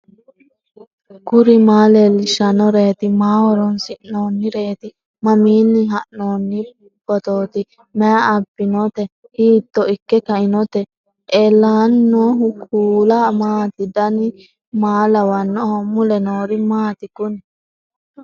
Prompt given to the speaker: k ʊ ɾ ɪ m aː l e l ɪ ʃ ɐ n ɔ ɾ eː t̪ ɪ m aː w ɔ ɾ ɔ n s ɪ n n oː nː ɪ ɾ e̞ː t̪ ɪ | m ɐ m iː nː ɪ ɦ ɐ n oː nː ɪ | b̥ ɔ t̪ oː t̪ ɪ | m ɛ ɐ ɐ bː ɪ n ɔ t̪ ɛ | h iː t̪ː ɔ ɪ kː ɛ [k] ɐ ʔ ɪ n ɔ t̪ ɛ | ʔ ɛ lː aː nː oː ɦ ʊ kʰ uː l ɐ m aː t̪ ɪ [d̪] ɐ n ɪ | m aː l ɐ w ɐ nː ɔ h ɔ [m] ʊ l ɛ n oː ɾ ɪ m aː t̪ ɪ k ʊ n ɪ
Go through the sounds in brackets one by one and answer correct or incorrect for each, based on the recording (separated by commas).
correct, correct, correct